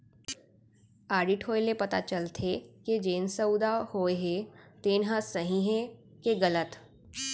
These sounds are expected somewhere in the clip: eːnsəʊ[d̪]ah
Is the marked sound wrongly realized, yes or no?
no